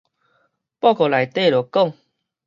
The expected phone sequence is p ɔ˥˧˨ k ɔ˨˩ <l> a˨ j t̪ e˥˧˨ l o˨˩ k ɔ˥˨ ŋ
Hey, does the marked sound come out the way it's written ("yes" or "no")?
yes